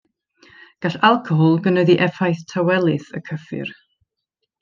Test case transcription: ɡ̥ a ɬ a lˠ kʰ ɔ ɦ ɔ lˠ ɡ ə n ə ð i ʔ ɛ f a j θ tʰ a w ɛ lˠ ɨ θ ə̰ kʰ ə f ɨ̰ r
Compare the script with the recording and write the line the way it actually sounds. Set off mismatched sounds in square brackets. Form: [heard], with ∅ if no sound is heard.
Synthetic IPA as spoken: ɡ̥ a ɬ a lˠ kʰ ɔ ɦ ɔ lˠ ɡ ə n ə ð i ʔ ɛ f a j θ tʰ a w ɛ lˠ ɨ θ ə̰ kʰ ə f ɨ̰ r